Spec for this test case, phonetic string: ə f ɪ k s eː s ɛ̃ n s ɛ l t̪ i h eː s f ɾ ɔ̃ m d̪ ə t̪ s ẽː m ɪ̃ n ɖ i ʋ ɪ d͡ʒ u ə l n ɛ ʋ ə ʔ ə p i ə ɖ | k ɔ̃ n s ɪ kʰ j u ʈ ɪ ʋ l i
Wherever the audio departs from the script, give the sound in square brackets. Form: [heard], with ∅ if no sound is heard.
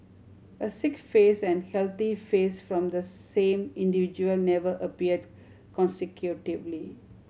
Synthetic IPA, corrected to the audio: ə [s] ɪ k [f] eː s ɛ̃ n [h] ɛ l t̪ i [f] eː s f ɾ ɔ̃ m d̪ ə [∅] s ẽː m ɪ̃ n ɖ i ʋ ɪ d͡ʒ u ə l n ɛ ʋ ə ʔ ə p i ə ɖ | k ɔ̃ n s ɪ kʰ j u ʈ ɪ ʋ l i